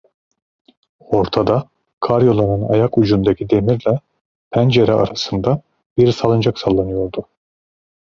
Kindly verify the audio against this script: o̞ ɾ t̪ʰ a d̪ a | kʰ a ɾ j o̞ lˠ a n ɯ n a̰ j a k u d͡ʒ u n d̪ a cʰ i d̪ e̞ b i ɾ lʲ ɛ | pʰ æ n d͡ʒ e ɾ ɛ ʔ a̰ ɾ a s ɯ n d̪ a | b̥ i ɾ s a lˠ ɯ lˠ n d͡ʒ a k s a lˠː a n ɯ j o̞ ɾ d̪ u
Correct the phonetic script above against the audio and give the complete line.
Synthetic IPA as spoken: o̞ ɾ t̪ʰ a d̪ a | kʰ a ɾ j o̞ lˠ a n ɯ n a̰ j a k u d͡ʒ u n d̪ a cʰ i d̪ e̞ m i ɾ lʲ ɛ | pʰ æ n d͡ʒ e ɾ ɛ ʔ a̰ ɾ a s ɯ n d̪ a | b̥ i ɾ s a lˠ ɯ n d͡ʒ a k s a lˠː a n ɯ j o̞ ɾ d̪ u